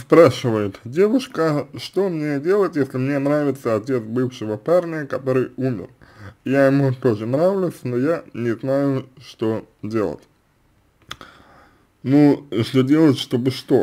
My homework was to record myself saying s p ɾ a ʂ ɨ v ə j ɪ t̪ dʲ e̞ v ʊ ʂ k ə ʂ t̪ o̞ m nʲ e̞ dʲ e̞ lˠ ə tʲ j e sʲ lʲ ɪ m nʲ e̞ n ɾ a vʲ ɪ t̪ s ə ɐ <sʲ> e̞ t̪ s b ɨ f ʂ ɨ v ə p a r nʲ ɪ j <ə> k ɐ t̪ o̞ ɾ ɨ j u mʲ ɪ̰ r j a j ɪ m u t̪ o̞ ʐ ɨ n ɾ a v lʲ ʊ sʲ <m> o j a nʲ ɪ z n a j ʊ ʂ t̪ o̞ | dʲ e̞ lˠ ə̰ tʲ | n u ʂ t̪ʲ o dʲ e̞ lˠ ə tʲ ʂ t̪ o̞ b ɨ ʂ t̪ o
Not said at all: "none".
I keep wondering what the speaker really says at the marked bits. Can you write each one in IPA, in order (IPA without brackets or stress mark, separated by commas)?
tʲ, ə, n